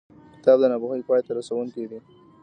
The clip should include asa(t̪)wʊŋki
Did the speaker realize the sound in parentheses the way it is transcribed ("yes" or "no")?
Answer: no